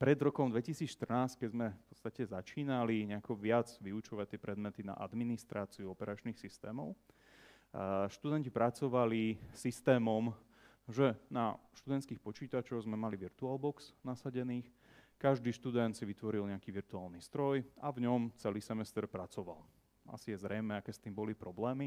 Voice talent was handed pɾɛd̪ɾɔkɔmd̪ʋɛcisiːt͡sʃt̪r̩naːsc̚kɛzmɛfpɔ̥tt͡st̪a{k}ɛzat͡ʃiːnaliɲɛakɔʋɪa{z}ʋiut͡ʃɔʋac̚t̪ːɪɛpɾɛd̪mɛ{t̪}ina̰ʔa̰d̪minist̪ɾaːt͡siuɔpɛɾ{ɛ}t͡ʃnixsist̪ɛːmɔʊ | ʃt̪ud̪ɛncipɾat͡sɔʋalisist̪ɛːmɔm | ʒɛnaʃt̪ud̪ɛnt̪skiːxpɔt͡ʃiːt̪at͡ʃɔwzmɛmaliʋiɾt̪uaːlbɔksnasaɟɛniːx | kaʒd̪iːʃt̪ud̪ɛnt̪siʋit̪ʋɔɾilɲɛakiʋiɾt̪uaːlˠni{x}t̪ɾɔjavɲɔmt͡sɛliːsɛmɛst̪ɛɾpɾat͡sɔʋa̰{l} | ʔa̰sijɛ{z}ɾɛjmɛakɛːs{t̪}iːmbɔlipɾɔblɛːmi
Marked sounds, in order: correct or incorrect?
incorrect, incorrect, correct, incorrect, incorrect, correct, correct, correct

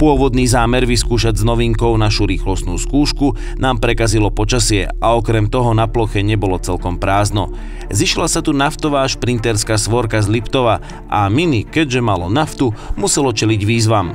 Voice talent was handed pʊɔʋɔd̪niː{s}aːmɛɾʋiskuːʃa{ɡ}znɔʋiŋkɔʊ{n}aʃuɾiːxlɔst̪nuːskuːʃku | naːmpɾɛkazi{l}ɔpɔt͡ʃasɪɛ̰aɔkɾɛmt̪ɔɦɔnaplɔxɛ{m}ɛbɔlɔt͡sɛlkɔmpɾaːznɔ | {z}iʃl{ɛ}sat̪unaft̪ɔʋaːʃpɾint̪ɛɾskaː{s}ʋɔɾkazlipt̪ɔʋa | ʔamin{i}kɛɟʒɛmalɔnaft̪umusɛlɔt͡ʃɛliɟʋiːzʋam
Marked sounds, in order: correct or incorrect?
incorrect, incorrect, correct, correct, incorrect, correct, incorrect, correct, correct

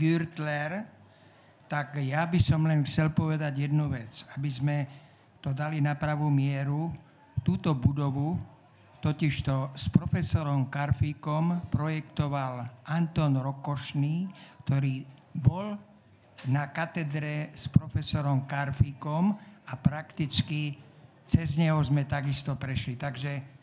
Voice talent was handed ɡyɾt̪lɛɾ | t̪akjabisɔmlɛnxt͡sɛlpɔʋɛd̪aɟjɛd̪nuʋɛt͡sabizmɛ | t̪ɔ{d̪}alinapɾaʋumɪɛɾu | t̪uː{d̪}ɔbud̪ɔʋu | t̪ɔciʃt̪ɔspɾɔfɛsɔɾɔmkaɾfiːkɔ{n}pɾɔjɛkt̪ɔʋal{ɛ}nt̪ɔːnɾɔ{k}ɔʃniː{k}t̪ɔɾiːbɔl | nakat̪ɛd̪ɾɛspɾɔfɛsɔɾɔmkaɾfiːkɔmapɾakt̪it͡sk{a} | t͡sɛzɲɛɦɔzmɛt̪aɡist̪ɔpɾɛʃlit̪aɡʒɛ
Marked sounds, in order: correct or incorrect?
correct, incorrect, incorrect, incorrect, correct, correct, incorrect

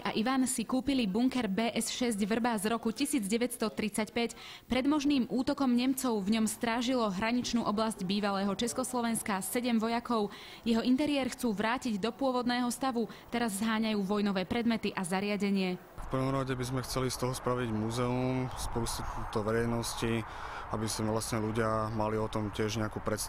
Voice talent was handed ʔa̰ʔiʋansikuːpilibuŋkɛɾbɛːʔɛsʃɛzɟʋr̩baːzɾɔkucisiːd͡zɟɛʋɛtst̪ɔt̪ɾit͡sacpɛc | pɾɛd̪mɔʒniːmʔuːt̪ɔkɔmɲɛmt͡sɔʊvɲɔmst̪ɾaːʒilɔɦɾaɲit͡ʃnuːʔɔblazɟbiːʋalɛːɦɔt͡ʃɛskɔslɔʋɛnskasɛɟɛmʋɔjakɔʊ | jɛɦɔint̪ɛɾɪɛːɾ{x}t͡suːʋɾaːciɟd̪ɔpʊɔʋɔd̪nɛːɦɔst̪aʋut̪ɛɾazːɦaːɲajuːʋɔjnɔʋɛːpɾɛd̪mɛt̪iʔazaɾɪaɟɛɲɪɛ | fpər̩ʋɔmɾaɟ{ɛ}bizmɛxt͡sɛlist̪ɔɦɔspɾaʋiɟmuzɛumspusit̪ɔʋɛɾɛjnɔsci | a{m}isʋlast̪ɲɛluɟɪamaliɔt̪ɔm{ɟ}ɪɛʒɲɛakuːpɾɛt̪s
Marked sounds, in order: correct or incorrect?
correct, correct, incorrect, incorrect

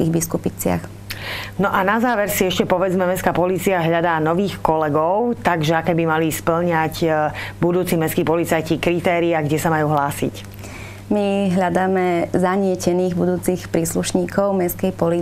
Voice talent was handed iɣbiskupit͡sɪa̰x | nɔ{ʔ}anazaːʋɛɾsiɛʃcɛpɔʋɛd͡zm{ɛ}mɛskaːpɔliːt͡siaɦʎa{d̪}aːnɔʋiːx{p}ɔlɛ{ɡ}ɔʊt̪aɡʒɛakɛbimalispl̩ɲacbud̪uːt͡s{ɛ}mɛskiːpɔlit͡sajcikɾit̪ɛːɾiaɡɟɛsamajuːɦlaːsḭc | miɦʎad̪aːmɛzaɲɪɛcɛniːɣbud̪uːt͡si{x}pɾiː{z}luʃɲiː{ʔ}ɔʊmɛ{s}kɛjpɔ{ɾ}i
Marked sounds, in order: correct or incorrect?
correct, correct, correct, incorrect, correct, incorrect, correct, incorrect, incorrect, correct, incorrect

